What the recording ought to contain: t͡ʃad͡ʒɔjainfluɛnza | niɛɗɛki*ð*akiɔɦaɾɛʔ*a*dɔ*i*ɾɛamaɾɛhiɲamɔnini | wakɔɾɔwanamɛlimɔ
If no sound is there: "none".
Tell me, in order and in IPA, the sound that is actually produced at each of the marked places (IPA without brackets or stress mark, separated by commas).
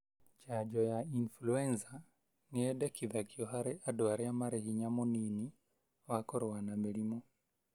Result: ð, a, a